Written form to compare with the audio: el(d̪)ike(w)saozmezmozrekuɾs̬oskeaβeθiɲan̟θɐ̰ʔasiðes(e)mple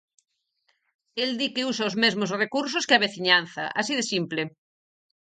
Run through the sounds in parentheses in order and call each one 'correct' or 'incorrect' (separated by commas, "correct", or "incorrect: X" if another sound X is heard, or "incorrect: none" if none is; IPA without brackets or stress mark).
correct, incorrect: u, incorrect: i